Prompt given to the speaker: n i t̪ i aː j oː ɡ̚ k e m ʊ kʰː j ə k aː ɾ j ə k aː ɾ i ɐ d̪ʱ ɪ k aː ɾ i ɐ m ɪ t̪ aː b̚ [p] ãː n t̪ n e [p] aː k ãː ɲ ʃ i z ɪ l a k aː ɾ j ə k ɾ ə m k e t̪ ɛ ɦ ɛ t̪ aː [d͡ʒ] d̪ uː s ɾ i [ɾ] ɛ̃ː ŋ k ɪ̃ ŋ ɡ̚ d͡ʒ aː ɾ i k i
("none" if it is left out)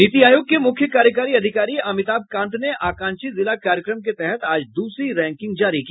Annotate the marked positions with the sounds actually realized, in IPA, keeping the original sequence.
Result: k, ʔ, d͡ʒ, ɾ

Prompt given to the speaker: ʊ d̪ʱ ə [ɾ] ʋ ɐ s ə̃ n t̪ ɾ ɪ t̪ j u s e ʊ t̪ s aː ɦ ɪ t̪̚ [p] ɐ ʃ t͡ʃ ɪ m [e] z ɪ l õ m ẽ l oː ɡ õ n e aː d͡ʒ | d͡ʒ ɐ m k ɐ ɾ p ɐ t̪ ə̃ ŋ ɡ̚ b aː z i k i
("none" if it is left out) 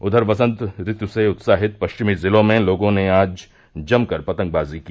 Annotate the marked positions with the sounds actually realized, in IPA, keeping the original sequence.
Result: ɾ, p, i

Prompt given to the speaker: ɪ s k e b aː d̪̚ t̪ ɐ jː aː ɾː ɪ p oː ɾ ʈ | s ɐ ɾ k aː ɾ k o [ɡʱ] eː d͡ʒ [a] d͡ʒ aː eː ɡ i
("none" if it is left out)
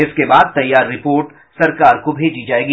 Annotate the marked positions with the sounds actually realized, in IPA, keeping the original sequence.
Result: bʱ, i

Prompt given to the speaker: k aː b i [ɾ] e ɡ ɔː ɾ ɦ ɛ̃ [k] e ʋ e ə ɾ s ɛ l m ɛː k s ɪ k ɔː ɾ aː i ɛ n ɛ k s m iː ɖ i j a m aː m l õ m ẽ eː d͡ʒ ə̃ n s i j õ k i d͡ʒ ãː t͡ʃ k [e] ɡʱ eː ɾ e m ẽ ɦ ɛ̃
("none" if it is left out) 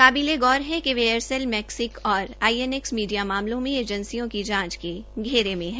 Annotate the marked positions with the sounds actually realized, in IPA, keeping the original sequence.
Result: l, k, e

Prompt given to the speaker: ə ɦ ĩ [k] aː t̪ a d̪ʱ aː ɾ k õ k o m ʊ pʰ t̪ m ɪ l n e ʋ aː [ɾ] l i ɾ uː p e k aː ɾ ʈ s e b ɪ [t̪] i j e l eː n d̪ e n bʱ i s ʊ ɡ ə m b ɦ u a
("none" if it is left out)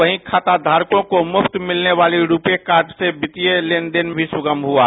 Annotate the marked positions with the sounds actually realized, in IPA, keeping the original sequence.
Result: kʰ, none, t̪

